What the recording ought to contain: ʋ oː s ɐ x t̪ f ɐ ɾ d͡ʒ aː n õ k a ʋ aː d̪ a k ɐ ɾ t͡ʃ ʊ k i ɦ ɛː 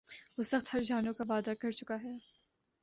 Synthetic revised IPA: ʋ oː s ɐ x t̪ h ɐ ɾ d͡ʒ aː n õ k a ʋ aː d̪ a k ɐ ɾ t͡ʃ ʊ k a ɦ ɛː